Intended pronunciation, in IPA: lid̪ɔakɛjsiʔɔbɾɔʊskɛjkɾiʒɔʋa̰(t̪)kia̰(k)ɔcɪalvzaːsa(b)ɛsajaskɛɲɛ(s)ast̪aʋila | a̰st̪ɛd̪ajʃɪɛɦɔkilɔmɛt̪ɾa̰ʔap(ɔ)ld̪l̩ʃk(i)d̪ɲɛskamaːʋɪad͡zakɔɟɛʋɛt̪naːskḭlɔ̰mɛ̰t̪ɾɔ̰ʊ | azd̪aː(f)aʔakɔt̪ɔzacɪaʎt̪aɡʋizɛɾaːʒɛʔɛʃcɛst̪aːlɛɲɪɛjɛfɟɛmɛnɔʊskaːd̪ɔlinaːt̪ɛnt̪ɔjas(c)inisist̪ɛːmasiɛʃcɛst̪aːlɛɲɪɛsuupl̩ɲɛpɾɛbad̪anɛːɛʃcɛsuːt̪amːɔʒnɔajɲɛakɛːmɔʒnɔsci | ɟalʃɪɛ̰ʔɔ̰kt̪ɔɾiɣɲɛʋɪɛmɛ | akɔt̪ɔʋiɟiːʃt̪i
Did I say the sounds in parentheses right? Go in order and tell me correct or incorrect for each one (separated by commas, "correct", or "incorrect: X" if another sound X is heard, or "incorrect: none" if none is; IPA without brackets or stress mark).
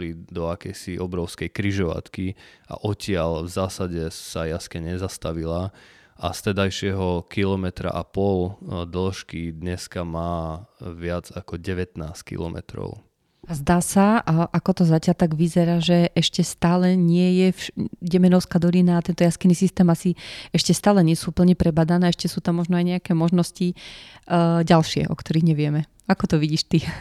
correct, incorrect: ʔ, incorrect: ɟ, incorrect: z, correct, correct, incorrect: s, incorrect: k